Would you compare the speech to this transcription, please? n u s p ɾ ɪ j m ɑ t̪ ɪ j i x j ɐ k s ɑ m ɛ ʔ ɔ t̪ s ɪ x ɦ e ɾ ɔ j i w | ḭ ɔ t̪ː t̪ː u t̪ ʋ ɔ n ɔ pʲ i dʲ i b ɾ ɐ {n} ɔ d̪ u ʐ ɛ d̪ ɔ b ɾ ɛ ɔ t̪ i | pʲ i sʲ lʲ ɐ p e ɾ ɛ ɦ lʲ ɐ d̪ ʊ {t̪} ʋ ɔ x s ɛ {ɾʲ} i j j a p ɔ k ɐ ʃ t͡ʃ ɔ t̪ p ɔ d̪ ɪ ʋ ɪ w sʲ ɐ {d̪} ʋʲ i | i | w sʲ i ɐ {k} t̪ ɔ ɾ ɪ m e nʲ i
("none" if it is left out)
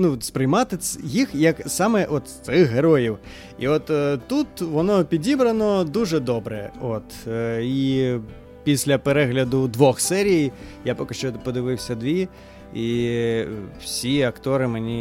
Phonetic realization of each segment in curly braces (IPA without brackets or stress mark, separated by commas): n, d̪, ɾʲ, d̪, k